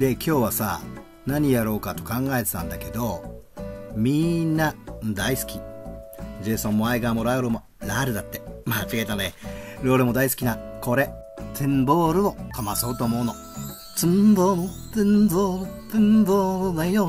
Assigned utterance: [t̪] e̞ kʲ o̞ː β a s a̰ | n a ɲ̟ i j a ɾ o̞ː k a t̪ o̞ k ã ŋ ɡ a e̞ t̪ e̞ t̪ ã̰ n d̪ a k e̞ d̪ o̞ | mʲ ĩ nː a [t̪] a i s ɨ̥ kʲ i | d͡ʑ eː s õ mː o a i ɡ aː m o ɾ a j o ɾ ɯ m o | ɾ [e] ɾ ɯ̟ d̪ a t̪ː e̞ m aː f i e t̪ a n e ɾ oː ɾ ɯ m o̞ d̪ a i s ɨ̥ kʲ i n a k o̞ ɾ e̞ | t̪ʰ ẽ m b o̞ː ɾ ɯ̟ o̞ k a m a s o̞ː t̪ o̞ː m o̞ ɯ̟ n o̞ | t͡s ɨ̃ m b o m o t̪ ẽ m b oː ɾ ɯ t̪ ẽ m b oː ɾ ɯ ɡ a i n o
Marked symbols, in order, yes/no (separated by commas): no, no, no